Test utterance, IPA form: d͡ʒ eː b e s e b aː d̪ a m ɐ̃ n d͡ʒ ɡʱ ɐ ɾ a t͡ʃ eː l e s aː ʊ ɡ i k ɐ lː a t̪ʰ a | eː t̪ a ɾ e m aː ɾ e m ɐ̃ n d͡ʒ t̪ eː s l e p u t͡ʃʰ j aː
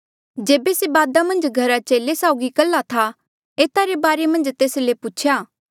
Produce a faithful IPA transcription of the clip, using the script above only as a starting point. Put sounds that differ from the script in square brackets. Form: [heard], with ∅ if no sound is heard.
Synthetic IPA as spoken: d͡ʒ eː b e s e b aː d̪ a m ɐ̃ n d͡ʒ ɡʱ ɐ ɾ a t͡ʃ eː l e s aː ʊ ɡ i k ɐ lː a t̪ʰ a | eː t̪ a ɾ e [b] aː ɾ e m ɐ̃ n d͡ʒ t̪ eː s l e p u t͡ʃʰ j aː